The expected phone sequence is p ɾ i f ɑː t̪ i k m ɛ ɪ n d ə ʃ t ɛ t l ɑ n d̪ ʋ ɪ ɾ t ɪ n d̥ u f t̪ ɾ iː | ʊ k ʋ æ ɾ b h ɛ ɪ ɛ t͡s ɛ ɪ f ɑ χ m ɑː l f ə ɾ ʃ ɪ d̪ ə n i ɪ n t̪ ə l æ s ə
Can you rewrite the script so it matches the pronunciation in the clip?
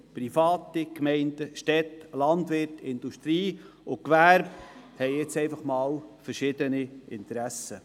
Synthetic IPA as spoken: p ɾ i f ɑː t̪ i k m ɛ ɪ n d ə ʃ t ɛ t l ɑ n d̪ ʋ ɪ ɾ t ɪ n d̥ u ʃ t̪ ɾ iː | ʊ k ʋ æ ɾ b h ɛ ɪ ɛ t͡s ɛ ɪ f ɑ χ m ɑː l f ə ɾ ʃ ɪ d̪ ə n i ɪ n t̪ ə ɾ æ s ə